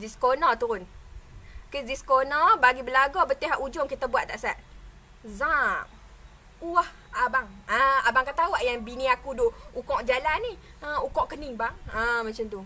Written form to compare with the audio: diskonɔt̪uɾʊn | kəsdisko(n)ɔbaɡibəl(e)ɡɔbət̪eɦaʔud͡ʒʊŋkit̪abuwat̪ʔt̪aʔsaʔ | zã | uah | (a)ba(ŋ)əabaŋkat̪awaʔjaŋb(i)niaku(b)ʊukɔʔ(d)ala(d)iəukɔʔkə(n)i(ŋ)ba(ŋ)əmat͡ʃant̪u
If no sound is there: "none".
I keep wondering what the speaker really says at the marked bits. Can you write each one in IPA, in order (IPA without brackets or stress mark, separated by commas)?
n, a, a, ŋ, i, d, d͡ʒ, n, n, ŋ, ŋ